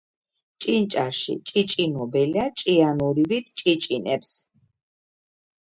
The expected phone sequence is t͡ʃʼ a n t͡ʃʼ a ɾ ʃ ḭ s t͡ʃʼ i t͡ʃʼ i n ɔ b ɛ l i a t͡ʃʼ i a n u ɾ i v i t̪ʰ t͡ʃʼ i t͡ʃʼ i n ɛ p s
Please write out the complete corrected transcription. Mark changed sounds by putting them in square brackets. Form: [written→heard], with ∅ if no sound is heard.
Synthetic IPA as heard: t͡ʃʼ [a→i] n t͡ʃʼ a ɾ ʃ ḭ [s→∅] t͡ʃʼ i t͡ʃʼ i n ɔ b ɛ l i a t͡ʃʼ i a n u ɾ i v i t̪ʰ t͡ʃʼ i t͡ʃʼ i n ɛ p s